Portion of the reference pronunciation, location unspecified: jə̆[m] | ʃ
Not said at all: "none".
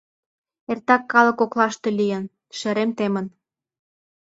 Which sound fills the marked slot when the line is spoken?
n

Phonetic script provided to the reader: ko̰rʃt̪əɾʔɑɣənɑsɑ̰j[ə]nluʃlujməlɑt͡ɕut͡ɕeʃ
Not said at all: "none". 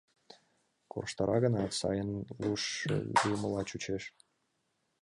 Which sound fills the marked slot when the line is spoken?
ə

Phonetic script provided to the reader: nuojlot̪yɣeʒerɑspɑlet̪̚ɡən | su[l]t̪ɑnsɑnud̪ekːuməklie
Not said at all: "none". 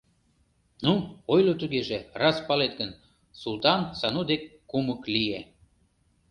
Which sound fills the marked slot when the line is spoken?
l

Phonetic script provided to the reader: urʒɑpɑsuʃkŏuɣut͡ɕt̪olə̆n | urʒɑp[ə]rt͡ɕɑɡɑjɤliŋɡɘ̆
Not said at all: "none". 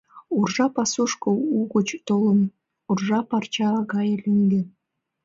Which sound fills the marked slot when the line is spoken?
ɑ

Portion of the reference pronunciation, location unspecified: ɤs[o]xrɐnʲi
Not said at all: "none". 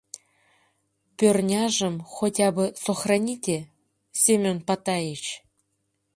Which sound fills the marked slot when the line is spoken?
o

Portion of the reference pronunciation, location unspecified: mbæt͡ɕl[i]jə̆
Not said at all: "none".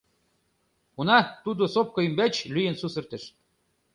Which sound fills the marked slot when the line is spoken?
y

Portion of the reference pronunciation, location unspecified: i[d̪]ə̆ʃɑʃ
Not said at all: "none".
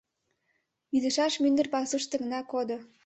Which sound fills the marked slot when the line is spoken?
d̪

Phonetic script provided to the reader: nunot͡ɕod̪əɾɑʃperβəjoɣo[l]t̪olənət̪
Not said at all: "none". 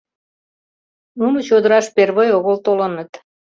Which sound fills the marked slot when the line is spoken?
l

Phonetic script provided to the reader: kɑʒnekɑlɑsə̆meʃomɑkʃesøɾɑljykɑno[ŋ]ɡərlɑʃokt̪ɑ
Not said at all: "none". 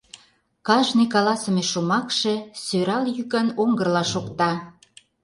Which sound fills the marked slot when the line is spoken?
ŋ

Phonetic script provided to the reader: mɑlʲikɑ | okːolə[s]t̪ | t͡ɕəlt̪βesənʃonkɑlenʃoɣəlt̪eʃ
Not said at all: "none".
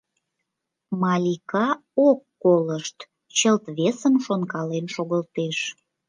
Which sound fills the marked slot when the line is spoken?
ʃ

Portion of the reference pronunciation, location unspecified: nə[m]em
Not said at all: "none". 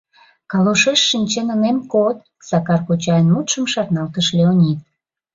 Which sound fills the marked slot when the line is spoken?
n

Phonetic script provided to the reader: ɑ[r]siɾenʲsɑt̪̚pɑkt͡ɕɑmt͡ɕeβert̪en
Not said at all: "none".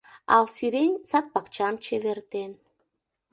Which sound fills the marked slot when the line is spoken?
l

